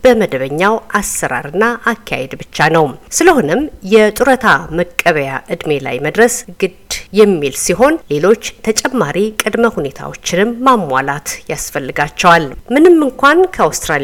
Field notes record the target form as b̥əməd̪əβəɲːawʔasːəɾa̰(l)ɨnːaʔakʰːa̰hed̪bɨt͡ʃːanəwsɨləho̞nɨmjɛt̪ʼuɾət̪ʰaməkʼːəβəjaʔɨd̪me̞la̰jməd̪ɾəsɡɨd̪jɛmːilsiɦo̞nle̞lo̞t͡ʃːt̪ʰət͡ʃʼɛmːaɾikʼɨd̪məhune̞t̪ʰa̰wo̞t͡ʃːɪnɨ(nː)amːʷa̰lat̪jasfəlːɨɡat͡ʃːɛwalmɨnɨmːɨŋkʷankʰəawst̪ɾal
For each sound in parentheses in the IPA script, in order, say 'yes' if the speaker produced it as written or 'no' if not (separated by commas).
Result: no, no